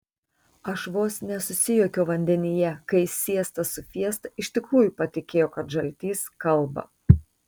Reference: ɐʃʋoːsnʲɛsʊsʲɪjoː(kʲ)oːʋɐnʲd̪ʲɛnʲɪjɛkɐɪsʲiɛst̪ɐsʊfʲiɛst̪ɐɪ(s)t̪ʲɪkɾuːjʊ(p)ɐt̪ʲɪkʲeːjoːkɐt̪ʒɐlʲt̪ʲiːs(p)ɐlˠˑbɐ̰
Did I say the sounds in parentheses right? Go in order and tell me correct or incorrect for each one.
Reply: correct, incorrect: ʃ, correct, incorrect: k

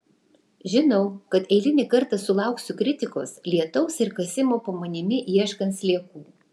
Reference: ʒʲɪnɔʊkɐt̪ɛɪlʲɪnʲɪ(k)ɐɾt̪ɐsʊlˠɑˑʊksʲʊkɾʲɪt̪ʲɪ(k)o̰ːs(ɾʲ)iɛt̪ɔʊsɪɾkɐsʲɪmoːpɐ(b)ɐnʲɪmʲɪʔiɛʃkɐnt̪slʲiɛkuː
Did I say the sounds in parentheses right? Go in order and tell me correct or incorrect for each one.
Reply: correct, correct, incorrect: lʲ, incorrect: m

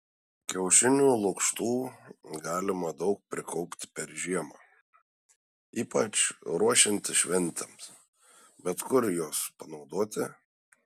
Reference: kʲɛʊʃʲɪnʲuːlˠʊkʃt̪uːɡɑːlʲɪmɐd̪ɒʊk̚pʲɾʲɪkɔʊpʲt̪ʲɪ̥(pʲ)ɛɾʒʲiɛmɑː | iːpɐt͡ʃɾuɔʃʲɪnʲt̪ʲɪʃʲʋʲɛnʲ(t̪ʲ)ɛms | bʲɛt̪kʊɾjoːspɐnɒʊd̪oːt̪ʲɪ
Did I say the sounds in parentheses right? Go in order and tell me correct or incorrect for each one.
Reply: correct, correct

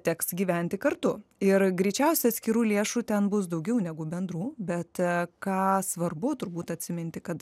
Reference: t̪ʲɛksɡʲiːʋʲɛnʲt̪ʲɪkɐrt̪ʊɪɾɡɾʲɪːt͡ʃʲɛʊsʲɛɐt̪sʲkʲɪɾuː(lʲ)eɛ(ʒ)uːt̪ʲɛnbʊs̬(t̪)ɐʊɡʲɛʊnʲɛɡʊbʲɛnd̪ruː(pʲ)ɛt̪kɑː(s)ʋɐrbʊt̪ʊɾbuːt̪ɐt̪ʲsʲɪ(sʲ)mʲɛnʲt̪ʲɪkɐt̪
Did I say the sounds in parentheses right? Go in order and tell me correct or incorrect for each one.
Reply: correct, incorrect: ʃ, incorrect: d̪, incorrect: bʲ, correct, incorrect: none

